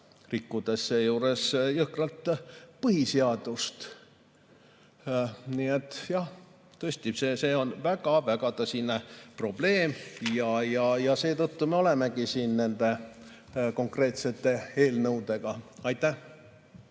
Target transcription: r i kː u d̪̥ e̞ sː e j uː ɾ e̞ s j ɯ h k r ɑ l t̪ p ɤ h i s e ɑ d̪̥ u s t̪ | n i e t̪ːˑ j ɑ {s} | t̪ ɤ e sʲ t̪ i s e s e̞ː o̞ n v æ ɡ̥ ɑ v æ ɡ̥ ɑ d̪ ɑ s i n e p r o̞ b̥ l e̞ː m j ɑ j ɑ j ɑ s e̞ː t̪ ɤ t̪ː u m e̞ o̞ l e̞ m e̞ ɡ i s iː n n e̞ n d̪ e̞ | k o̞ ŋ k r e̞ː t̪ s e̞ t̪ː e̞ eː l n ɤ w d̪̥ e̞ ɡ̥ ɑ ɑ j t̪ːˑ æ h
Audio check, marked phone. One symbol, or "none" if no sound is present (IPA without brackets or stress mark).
h